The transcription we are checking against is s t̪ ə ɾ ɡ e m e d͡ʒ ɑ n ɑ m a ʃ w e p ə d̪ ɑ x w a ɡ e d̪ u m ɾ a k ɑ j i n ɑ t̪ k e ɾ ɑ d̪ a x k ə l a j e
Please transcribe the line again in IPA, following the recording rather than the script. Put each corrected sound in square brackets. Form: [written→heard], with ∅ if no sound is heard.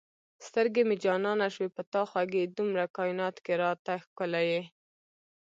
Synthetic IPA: s t̪ ə ɾ ɡ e m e d͡ʒ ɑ n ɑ [m→n] a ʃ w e p ə [d̪→t̪] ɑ x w a ɡ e d̪ u m ɾ a k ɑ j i n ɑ t̪ k e ɾ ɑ [d̪→t̪] a x k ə l a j e